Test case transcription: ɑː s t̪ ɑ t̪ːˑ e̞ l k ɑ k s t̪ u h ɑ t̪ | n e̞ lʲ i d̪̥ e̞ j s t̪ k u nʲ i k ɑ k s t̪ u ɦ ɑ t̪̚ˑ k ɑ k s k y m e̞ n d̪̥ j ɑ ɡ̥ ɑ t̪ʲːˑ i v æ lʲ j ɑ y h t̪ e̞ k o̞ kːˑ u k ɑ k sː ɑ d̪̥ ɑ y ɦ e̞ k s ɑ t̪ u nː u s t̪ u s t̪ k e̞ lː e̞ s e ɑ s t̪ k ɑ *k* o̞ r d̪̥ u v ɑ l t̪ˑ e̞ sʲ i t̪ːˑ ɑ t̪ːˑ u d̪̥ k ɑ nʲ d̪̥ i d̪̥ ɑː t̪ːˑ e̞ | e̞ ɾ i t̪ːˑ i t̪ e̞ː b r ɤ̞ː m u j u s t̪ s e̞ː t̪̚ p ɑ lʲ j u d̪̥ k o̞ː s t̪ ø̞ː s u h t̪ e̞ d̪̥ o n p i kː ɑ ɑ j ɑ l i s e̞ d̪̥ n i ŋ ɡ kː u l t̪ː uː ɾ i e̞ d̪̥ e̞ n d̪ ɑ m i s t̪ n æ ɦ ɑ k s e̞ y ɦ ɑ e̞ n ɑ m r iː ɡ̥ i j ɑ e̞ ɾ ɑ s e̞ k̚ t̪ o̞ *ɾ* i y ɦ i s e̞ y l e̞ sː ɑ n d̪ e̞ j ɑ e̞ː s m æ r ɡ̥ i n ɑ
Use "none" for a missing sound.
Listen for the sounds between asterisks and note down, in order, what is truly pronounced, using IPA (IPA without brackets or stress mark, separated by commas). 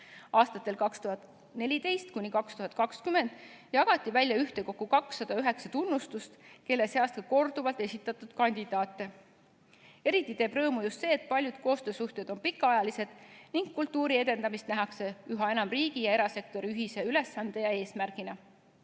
k, ɾ